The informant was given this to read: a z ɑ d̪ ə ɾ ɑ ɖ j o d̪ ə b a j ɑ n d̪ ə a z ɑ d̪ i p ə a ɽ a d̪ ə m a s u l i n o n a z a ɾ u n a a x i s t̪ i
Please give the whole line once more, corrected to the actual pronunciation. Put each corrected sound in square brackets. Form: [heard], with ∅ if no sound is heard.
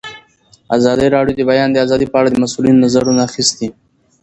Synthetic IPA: a z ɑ d̪ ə ɾ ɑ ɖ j o d̪ ə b a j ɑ n d̪ ə a z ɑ d̪ i p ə a ɽ a d̪ ə m a s u l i n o n a z a ɾ u n a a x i s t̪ i